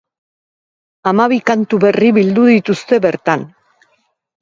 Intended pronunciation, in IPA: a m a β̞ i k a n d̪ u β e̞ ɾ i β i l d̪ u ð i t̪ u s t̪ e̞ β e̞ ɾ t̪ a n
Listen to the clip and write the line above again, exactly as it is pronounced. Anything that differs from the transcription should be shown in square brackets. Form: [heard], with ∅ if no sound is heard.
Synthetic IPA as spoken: a m a β̞ i k a n [t̪] u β e̞ [r] i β i l d̪ u ð i t̪ u s t̪ e̞ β e̞ ɾ t̪ a n